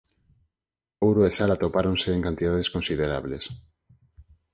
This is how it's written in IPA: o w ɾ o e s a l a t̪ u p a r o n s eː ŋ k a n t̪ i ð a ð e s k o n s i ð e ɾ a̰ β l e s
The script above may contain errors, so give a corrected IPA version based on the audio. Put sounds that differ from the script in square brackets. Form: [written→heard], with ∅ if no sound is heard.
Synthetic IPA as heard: o w ɾ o e s a l a t̪ [u→o] p a [r→ɾ] o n s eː ŋ k a n t̪ i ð a ð e s k o n s i ð e ɾ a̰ β l e s